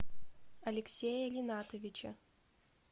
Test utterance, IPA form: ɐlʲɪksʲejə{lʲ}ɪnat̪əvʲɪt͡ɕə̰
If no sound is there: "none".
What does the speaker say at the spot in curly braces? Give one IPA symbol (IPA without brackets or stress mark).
lʲ